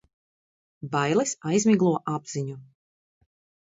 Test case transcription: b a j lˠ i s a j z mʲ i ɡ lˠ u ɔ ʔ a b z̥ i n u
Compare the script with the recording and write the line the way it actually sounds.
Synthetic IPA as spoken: b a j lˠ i s a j z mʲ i ɡ lˠ u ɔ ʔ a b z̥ i ɲ u